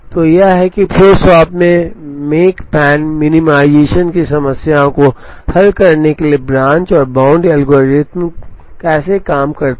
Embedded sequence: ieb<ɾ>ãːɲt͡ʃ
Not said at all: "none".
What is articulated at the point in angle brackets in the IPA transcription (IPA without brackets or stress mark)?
ɾ